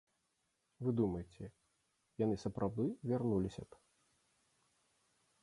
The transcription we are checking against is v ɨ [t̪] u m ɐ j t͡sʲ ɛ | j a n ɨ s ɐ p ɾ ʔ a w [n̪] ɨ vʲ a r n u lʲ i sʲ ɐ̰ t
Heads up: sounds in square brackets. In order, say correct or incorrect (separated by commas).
incorrect, incorrect